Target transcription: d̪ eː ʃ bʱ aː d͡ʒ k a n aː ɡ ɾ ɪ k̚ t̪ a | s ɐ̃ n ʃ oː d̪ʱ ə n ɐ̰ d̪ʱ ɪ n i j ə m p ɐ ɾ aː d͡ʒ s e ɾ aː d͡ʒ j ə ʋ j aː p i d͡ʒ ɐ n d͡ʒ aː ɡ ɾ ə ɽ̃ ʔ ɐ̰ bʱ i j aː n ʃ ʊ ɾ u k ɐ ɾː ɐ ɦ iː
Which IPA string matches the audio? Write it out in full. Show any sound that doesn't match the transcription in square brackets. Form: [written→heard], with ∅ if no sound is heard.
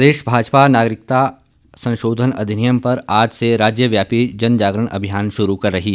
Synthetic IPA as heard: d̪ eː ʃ bʱ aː d͡ʒ [k→p] a n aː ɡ ɾ ɪ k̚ t̪ a | s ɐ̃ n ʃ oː d̪ʱ ə n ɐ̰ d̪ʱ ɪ n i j ə m p ɐ ɾ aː d͡ʒ s e ɾ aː d͡ʒ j ə ʋ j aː p i d͡ʒ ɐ n d͡ʒ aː ɡ ɾ ə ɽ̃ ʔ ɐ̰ bʱ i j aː n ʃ ʊ ɾ u k ɐ ɾː ɐ ɦ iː